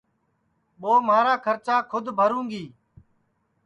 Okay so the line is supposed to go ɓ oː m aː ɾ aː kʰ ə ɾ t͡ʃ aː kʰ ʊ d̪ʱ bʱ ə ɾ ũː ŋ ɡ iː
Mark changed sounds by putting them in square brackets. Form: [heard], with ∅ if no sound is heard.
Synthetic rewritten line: ɓ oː m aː ɾ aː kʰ ə ɾ t͡ʃ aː kʰ ʊ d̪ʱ bʱ ə ɾ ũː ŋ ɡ iː